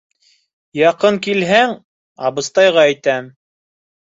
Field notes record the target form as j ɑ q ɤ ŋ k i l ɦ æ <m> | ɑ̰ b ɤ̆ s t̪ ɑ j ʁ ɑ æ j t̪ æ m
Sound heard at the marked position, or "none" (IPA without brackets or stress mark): ŋ